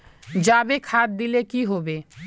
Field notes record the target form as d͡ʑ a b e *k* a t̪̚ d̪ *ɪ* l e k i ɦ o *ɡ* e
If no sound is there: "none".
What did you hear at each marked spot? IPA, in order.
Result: kʰ, i, b

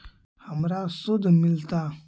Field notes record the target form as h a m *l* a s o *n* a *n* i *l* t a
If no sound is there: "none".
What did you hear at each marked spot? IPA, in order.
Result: ɾ, d, m, l

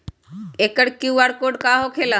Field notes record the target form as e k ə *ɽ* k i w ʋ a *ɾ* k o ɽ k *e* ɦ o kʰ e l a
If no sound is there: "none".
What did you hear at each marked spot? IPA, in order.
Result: ɽ, ɽ, a

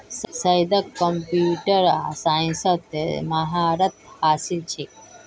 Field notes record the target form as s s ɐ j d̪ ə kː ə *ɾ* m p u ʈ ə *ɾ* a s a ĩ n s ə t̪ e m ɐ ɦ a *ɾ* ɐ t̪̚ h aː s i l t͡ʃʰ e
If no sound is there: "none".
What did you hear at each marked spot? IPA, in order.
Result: none, ɾ, ɾ

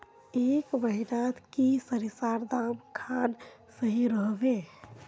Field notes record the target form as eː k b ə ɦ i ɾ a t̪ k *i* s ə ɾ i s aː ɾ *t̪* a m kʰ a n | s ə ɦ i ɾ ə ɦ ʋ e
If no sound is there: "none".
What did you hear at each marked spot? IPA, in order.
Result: i, d̪

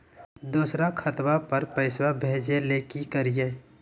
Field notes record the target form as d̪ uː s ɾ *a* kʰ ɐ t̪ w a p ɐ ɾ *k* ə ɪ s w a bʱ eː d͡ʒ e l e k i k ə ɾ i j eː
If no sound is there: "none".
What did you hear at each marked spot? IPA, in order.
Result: a, p

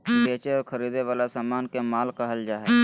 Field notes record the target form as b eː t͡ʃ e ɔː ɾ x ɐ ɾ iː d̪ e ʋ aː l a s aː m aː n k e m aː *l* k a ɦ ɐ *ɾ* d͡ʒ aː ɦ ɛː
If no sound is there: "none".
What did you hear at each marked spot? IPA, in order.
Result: l, l

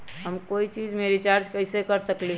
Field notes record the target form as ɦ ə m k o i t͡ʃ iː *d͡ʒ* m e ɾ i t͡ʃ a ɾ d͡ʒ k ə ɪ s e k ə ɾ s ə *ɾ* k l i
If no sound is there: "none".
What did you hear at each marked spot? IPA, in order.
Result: d͡ʒ, none

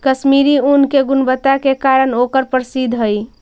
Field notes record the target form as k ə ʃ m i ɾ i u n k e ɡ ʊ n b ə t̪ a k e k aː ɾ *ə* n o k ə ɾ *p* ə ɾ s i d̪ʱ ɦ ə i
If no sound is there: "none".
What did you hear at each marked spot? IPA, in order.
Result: ə, p

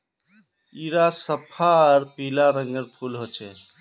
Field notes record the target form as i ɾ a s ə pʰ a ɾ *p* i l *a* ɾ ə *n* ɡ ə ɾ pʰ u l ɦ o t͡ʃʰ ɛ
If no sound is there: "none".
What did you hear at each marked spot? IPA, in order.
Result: p, a, ŋ

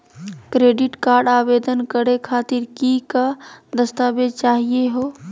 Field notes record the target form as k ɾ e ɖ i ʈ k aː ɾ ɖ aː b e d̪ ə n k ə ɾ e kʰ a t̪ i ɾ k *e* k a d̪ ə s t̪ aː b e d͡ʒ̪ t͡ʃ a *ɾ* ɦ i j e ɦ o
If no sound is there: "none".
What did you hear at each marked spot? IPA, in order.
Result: i, none

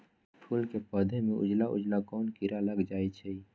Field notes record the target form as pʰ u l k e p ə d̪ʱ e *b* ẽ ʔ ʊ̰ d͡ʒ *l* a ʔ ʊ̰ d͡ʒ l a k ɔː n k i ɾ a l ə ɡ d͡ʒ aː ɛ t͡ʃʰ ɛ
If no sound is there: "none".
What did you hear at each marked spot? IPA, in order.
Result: m, l

